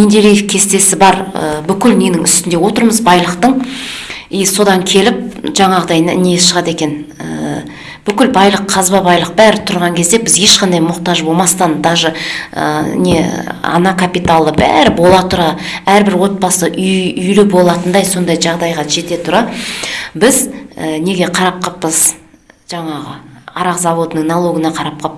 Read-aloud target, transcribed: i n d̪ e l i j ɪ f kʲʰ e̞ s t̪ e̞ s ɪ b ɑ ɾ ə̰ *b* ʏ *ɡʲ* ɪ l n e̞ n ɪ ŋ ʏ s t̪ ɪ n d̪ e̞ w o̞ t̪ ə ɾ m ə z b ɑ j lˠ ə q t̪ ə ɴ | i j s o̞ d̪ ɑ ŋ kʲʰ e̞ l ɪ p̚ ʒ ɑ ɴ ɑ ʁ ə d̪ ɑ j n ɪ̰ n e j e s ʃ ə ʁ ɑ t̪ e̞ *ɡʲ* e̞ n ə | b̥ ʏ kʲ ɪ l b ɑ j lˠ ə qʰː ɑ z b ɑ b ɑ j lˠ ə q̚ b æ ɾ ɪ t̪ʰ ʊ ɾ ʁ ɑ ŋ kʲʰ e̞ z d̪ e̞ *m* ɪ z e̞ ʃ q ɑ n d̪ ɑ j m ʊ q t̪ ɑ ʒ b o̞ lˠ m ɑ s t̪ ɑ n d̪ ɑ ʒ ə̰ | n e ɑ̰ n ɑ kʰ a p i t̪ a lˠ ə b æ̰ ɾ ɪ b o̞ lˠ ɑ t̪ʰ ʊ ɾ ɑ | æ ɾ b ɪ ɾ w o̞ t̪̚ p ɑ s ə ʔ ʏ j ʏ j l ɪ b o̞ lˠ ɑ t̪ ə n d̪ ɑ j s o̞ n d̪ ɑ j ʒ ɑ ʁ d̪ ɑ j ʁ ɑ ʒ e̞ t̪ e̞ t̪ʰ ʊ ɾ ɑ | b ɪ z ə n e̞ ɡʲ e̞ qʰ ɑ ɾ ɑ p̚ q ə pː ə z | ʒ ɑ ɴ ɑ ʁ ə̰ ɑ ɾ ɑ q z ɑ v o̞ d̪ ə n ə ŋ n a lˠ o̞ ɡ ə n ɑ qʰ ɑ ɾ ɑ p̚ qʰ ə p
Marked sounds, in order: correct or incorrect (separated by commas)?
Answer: correct, incorrect, incorrect, incorrect